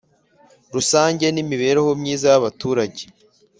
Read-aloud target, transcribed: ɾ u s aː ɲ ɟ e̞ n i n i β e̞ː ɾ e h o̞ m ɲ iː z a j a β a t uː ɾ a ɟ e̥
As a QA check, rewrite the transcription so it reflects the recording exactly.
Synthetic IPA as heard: ɾ u s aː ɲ ɟ e̞ n i m i β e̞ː ɾ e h o̞ m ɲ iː z a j a β a t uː ɾ a ɟ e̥

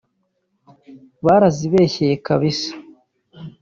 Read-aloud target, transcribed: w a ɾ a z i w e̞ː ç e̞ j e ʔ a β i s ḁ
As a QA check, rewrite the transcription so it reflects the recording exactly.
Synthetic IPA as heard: β a ɾ a z i β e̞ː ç e̞ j e k a β i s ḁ

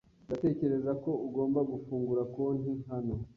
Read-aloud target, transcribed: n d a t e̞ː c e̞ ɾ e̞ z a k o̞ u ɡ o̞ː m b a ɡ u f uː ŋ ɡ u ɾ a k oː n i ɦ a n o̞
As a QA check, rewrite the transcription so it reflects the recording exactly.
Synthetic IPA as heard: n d a t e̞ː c e̞ ɾ e̞ z a k o̞ u ɡ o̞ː m b a ɡ u f uː ŋ ɡ u ɾ a k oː n i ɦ a n o̞

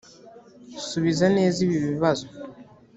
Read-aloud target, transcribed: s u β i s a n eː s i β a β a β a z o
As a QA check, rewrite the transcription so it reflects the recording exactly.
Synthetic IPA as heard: s u β i z a n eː z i β i β i β a z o

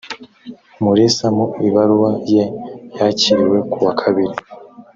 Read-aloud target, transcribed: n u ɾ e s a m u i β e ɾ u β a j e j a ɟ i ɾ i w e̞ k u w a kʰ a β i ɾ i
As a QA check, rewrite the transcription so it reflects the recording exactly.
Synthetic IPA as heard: m u ɾ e s a m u i β a ɾ u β a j e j a c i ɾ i w e̞ k u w a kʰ a β i ɾ i

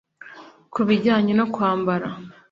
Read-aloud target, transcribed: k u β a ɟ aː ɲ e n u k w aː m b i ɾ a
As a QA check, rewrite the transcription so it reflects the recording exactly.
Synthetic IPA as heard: k u β i ɟ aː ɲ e n o k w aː m b a ɾ a

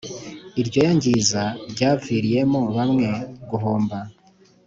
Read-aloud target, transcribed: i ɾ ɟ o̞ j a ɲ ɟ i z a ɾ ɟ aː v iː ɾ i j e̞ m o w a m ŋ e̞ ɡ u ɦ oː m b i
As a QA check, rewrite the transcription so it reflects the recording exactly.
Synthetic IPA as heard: i ɾ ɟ o̞ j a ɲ ɟ i z a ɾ ɟ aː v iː ɾ i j e̞ m o β a m ŋ e̞ ɡ u ɦ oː m b a

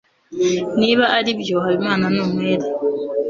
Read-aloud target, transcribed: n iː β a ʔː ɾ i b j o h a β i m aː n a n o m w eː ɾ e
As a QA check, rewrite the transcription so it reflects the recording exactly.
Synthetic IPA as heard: n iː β a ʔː ɾ i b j o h a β i m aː n a n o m w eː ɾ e

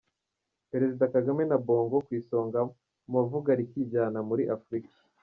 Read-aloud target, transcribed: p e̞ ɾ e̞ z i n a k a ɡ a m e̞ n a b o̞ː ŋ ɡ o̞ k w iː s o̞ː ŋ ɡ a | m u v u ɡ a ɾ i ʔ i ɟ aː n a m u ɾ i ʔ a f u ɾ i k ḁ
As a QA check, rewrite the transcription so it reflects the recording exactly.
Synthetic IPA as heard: p e̞ ɾ e̞ z i d a k a ɡ a m e̞ n a b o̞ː ŋ ɡ o̞ k w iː s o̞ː ŋ ɡ a | m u v u ɡ a ɾ i k i ɟ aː n a m u ɾ i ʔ a f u ɾ i k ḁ

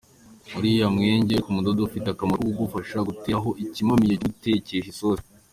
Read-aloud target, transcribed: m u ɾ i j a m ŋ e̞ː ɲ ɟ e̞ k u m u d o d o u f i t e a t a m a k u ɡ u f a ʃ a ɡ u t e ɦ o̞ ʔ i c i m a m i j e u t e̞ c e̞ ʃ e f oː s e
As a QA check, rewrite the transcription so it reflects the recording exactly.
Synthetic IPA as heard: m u ɾ i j a m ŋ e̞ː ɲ ɟ e̞ k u m u d o d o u f i t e a k a m a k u ɡ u f a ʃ a ɡ u t e ɦ o̞ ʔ i c i m a m i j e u t e̞ c e̞ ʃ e s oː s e

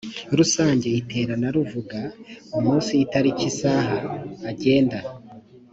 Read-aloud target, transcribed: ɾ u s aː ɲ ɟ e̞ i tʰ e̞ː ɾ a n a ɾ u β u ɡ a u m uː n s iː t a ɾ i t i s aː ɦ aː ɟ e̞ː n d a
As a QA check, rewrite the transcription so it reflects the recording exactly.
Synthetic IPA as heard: ɾ u s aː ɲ ɟ e̞ i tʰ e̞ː ɾ a n a ɾ u v u ɡ a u m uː n s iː t a ɾ i c i s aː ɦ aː ɟ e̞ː n d a

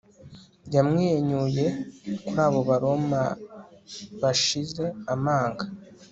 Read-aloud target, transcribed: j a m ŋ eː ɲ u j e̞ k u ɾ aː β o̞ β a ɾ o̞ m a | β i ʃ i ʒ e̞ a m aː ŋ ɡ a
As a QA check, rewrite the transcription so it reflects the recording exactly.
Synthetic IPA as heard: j a m ŋ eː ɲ u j e̞ k u ɾ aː β o̞ β a ɾ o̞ m a | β a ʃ i z e̞ a m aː ŋ ɡ a

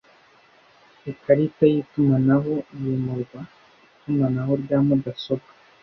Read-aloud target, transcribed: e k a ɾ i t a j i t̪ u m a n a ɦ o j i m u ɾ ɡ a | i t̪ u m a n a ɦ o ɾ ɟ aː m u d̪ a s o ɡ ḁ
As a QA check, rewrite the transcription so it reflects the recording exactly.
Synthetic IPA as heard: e k a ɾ i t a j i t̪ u m a n a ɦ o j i m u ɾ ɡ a | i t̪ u m a n a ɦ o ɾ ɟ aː m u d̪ a s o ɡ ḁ

